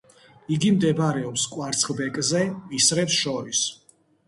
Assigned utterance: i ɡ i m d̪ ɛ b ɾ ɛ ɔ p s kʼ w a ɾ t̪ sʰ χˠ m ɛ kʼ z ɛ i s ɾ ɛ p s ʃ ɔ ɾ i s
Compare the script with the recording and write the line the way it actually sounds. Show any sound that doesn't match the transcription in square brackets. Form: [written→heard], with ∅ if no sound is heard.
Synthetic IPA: i ɡ i m d̪ ɛ b ɾ ɛ ɔ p s kʼ w a ɾ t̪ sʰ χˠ [m→b] ɛ kʼ z ɛ i s ɾ ɛ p s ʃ ɔ ɾ i s